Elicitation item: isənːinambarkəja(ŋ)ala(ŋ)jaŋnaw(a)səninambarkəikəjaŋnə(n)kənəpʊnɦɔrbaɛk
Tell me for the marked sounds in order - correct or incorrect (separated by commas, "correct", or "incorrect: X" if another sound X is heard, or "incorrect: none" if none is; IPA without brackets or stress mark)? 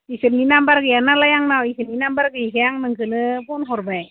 incorrect: n, incorrect: none, incorrect: i, incorrect: ŋ